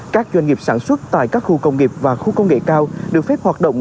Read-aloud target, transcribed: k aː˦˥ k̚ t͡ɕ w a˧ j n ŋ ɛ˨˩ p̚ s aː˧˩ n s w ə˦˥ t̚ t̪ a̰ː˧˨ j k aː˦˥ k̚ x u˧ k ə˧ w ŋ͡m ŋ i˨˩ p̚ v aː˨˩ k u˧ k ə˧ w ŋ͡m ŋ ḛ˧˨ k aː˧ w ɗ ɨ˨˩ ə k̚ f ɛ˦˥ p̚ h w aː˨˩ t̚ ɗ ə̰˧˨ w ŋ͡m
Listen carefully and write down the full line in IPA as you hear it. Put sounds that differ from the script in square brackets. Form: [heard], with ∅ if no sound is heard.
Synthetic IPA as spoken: k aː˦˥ k̚ t͡ɕ w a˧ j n ŋ [i˨˩] p̚ s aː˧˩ n s w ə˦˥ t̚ t̪ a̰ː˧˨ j k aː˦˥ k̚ x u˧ k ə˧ w ŋ͡m ŋ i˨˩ p̚ v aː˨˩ [x] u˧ k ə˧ w ŋ͡m ŋ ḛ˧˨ k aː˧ w ɗ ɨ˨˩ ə k̚ f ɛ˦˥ p̚ h w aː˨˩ t̚ ɗ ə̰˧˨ w ŋ͡m